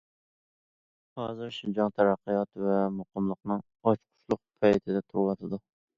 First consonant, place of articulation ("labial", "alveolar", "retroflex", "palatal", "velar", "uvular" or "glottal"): glottal